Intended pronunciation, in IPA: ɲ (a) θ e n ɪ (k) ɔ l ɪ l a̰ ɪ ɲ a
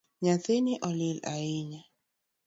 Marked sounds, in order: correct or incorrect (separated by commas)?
correct, incorrect